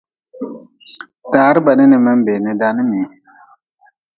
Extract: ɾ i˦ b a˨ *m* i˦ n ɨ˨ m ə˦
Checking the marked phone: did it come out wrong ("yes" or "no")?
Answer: yes